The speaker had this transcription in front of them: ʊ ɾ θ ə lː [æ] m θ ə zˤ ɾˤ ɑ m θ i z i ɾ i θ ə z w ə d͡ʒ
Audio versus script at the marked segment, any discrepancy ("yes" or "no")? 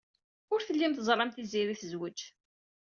yes